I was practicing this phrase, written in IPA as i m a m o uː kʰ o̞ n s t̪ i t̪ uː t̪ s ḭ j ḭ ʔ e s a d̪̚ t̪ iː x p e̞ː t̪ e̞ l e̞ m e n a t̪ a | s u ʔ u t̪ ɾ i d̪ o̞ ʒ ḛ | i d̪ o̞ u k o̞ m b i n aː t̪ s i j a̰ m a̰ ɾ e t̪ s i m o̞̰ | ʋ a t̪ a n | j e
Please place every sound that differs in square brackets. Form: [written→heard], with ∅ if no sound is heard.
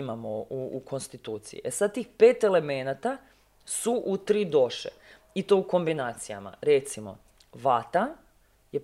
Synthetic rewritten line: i m a m o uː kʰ o̞ n s t̪ i t̪ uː t̪ s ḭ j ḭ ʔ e s a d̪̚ t̪ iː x p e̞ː t̪ e̞ l e̞ m e n a t̪ a | s u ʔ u t̪ ɾ i d̪ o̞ [ʒ→ʃ] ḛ | i [d̪→t̪] o̞ u k o̞ m b i n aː t̪ s i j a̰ m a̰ ɾ e t̪ s i m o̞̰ | ʋ a t̪ a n | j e